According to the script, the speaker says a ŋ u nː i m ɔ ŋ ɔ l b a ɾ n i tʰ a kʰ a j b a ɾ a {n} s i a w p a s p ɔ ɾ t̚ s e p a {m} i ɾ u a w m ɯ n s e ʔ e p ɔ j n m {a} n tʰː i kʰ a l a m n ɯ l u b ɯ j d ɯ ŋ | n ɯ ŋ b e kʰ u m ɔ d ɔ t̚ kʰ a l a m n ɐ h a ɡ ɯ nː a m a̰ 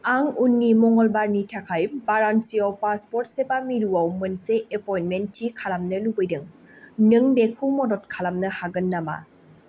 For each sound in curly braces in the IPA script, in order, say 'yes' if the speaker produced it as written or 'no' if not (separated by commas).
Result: yes, yes, no